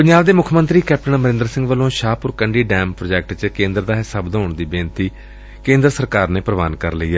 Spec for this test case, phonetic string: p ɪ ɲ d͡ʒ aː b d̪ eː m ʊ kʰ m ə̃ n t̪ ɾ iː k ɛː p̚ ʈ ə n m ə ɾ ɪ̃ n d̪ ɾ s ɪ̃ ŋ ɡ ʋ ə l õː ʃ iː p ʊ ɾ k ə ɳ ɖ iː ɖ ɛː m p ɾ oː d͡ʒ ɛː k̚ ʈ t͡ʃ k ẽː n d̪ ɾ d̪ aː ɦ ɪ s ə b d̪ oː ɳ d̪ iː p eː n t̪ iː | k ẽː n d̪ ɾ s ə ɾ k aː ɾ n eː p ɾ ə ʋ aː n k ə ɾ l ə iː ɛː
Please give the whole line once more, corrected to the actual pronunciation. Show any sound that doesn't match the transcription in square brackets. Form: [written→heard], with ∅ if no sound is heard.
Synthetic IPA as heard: p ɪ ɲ d͡ʒ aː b d̪ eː m ʊ kʰ m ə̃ n t̪ ɾ iː k ɛː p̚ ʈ ə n m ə ɾ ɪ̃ n d̪ ɾ s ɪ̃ ŋ ɡ ʋ ə l õː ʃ [iː→aː] p ʊ ɾ k ə ɳ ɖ iː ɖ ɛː m p ɾ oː d͡ʒ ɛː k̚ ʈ t͡ʃ k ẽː n d̪ ɾ d̪ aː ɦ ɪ s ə b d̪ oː ɳ d̪ iː [p→b] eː n t̪ iː | k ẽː n d̪ ɾ s ə ɾ k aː ɾ n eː p ɾ ə ʋ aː n k ə ɾ l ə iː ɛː